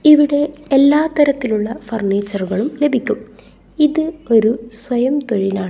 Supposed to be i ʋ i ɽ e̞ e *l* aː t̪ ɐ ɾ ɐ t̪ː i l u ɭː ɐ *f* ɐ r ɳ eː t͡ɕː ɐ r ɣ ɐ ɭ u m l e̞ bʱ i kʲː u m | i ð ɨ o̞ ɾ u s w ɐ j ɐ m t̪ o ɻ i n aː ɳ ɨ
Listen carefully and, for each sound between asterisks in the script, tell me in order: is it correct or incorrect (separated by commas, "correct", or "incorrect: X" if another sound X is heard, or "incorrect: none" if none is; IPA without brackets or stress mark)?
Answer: incorrect: lː, correct